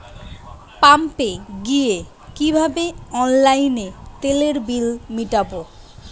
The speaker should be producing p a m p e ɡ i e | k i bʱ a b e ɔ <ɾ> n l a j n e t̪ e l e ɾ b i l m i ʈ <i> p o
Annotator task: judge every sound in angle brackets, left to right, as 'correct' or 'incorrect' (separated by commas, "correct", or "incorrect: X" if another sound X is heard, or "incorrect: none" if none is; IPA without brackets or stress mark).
incorrect: none, incorrect: a